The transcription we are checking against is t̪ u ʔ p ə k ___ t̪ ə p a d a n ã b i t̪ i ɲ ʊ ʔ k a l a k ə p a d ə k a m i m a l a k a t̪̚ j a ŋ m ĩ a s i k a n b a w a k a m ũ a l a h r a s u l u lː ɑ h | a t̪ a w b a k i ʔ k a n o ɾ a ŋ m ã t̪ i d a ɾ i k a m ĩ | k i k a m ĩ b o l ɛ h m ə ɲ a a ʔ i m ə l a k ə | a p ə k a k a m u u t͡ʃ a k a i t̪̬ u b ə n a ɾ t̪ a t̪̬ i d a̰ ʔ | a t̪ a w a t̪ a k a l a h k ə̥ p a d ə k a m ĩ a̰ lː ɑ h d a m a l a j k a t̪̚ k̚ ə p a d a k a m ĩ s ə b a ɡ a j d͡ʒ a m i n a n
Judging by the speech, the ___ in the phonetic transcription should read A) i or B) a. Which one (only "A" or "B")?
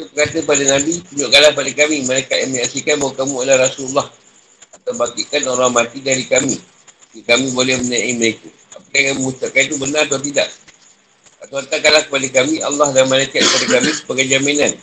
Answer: B